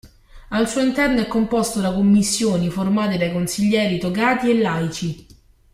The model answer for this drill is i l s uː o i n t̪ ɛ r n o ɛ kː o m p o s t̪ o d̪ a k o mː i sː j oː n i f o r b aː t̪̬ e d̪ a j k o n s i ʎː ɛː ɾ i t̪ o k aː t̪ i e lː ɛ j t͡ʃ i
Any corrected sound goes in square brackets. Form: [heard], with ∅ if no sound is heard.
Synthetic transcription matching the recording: [a] l s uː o i n t̪ ɛ r n o ɛ kː o m p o s t̪ o d̪ a k o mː i sː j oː n i f o r [m] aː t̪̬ e d̪ a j k o n s i ʎː ɛː ɾ i t̪ o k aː t̪ i e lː [a] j t͡ʃ i